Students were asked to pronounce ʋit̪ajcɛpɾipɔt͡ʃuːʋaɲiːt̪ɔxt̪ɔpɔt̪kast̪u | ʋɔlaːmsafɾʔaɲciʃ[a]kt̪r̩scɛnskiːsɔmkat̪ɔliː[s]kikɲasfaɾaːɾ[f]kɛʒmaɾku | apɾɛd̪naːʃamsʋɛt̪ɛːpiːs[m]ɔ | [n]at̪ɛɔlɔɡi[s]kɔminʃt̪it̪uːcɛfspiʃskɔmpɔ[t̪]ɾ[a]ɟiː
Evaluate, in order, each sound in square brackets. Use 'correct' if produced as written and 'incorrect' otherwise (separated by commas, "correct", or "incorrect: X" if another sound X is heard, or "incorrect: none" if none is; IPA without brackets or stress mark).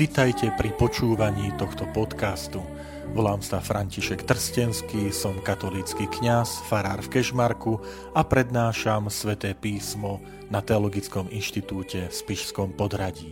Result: incorrect: ɛ, incorrect: t͡s, correct, correct, correct, incorrect: t͡s, incorrect: d̪, correct